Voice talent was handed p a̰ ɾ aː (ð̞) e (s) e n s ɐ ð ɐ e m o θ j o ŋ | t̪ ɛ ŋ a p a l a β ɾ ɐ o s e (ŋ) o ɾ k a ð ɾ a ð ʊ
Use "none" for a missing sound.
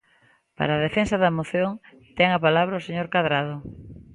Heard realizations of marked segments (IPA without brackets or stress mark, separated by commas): ð̞, f, ɲ